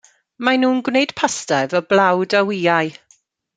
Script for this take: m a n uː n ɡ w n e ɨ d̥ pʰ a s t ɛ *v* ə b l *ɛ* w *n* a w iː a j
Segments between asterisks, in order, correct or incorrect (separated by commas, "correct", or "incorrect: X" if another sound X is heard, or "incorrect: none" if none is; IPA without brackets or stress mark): correct, incorrect: a, incorrect: d